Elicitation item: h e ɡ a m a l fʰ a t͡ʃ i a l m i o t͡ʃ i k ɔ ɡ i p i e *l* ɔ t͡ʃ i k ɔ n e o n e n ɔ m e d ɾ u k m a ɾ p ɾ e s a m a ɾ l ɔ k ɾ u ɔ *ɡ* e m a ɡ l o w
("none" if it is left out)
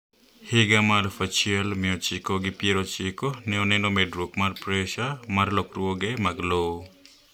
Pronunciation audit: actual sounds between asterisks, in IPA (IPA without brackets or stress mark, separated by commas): ɾ, ɡ